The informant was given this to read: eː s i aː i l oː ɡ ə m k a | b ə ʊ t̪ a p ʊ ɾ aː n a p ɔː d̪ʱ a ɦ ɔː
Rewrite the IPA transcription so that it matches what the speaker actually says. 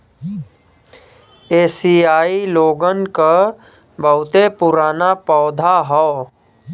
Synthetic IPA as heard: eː s i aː i l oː ɡ ə n k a | b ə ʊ t̪ e p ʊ ɾ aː n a p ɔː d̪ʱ a ɦ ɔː

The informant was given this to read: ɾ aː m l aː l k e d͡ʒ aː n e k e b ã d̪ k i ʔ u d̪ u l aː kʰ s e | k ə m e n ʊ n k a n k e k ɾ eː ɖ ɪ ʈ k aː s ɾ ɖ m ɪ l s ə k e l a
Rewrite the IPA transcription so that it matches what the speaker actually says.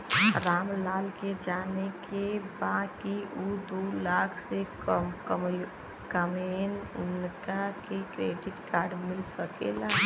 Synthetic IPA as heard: ɾ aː m l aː l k e d͡ʒ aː n e k e b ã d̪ k i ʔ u d̪ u l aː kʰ s e | k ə m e n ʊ n k a k e k ɾ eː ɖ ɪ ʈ k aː ɾ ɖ m ɪ l s ə k e l a

